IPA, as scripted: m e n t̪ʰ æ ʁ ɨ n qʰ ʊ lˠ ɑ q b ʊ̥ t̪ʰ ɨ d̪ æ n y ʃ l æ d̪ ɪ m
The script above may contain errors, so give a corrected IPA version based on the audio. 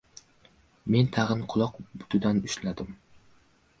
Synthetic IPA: m e n t̪ʰ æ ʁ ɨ n qʰ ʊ lˠ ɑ q b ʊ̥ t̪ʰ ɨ d̪ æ n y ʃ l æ d̪ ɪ m